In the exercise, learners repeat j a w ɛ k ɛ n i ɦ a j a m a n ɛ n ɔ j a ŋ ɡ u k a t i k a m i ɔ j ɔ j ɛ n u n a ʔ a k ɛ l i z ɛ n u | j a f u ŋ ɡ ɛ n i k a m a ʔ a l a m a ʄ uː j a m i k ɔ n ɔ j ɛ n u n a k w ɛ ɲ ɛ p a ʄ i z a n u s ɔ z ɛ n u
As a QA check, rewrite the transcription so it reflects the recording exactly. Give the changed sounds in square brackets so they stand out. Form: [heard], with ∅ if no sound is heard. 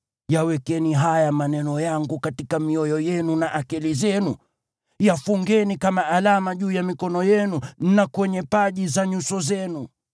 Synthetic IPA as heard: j a w ɛ k ɛ n i ɦ a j a m a n ɛ n ɔ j a ŋ ɡ u k a t i k a m i ɔ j ɔ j ɛ n u n a ʔ a k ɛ l i z ɛ n u | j a f u ŋ ɡ ɛ n i k a m a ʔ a l a m a ʄ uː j a m i k ɔ n ɔ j ɛ n u n a k w ɛ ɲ ɛ p a ʄ i z a [ɲ] u s ɔ z ɛ n u